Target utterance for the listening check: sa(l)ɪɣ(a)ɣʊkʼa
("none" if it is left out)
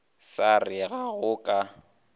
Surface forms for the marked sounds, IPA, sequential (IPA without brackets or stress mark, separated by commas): r, a